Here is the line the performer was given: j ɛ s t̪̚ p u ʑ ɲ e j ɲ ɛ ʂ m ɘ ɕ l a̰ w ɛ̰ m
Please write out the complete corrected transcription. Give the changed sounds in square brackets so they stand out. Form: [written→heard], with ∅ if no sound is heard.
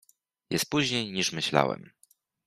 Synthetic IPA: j ɛ s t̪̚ p u ʑ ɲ e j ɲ [ɛ→i] ʂ m ɘ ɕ l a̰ w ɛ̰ m

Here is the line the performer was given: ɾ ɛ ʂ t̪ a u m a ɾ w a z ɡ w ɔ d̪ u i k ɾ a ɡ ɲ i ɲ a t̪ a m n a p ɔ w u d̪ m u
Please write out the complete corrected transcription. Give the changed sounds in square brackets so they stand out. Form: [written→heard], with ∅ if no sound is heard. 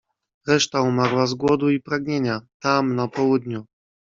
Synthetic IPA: ɾ ɛ ʂ t̪ a u m a ɾ w a z ɡ w ɔ d̪ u i [k→p] ɾ a ɡ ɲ [i→e] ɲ a t̪ a m n a p ɔ w u d̪ [m→ɲ] u

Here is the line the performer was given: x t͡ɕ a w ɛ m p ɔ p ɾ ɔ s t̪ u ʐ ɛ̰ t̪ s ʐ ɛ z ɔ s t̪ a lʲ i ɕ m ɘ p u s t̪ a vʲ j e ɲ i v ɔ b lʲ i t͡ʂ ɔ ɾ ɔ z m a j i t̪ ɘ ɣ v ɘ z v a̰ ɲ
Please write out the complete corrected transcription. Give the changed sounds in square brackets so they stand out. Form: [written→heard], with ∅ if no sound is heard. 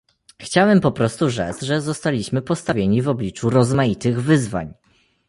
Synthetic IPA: x t͡ɕ a w ɛ m p ɔ p ɾ ɔ s t̪ u ʐ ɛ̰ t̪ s ʐ ɛ z ɔ s t̪ a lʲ i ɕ m ɘ p [u→ɔ] s t̪ a vʲ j e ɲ i v ɔ b lʲ i t͡ʂ [ɔ→u] ɾ ɔ z m a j i t̪ ɘ ɣ v ɘ z v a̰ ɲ

